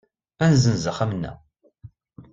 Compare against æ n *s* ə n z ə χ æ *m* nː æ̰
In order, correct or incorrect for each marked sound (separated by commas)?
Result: incorrect, correct